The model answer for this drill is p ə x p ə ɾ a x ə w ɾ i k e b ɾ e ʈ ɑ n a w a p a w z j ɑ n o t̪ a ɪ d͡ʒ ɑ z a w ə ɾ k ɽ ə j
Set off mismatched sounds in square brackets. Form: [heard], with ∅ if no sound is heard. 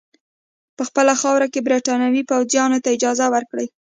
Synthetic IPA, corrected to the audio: p ə x p ə [l] a x [ɑ] w ɾ [a] k e b ɾ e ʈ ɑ n a w [i] p a w z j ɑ n o t̪ a ɪ d͡ʒ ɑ z a w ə ɾ k ɽ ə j